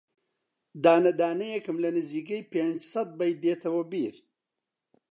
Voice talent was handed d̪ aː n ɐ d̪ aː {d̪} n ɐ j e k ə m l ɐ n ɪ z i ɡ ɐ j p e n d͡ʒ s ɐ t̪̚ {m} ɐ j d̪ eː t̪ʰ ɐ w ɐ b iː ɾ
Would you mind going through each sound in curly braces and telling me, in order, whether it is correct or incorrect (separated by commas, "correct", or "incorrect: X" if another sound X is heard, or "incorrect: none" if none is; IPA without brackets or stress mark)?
incorrect: none, incorrect: b